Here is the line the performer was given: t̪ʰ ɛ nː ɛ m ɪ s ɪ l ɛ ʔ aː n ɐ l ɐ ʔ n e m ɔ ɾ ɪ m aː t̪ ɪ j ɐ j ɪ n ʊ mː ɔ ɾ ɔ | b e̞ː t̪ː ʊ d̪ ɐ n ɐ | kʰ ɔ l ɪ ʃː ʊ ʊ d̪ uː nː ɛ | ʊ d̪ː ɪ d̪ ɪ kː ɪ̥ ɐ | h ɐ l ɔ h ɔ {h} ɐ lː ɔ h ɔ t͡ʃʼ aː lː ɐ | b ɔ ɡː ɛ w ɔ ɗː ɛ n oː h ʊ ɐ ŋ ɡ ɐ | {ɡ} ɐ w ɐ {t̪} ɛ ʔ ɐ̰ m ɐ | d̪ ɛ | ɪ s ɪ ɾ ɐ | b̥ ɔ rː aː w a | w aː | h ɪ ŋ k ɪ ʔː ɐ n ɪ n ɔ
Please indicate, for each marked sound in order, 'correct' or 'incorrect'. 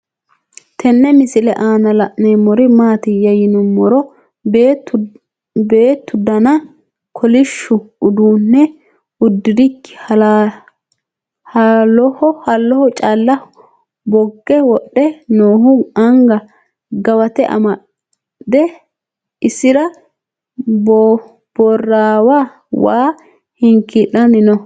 correct, correct, correct

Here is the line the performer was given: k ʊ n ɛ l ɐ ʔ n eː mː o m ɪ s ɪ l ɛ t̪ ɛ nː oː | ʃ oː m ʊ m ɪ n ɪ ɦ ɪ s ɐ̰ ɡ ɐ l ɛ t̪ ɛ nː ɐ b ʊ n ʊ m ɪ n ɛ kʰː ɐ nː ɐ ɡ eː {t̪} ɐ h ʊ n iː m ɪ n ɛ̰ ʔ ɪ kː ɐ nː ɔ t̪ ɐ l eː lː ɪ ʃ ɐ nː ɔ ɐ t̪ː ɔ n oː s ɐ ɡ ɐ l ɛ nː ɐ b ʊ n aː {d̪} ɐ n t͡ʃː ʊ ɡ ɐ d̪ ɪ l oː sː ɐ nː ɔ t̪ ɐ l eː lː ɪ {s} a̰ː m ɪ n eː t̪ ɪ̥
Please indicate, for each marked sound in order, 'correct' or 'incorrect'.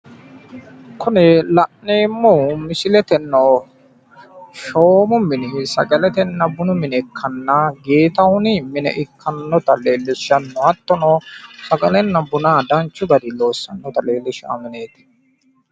correct, correct, incorrect: ʃ

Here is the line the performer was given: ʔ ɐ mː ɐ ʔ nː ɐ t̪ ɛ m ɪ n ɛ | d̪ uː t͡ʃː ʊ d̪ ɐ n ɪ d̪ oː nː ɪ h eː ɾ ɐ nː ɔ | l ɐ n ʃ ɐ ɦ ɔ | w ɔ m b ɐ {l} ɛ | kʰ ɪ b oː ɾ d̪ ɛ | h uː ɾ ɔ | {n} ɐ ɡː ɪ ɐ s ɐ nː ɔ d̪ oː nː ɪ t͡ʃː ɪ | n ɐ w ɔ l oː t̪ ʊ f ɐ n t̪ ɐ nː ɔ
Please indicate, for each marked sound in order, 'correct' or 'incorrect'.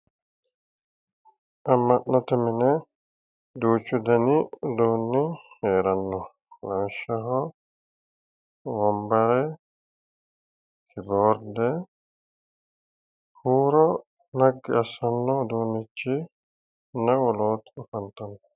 incorrect: ɾ, correct

